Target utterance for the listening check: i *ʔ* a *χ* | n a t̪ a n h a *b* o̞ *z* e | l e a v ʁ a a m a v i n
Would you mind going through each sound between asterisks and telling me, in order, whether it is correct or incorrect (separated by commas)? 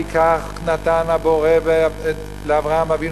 incorrect, correct, correct, incorrect